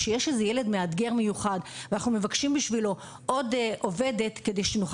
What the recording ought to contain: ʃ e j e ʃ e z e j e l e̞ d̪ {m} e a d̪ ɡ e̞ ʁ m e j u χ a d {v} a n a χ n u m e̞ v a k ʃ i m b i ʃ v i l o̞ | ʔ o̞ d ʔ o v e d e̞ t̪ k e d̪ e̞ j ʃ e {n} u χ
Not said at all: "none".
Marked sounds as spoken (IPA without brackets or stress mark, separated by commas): m, v, n